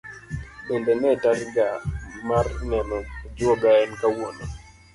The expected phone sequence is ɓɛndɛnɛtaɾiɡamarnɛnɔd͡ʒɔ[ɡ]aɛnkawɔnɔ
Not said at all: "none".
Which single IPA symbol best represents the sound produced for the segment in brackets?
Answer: ɡ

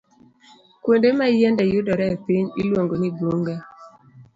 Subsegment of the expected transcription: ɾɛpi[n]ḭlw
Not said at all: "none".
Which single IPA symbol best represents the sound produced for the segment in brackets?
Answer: ɲ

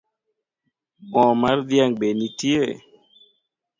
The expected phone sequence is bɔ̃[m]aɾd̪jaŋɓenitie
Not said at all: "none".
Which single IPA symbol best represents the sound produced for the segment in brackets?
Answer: m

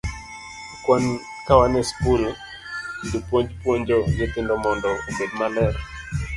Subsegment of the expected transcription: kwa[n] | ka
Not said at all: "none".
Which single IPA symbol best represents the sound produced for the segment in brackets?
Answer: n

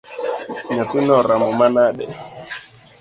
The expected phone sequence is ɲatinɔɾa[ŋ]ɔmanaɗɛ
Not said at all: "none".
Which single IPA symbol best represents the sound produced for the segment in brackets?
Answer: m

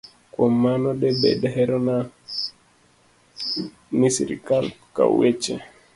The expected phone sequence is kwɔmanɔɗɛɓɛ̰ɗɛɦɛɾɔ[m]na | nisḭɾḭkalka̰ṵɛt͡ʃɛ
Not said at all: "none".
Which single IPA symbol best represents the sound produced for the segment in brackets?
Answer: none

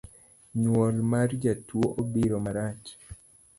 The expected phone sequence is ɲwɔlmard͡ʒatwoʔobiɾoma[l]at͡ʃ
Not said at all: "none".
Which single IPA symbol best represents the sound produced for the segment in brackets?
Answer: ɾ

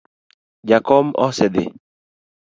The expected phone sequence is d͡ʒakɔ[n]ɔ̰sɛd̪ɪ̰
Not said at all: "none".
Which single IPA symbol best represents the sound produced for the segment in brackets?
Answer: m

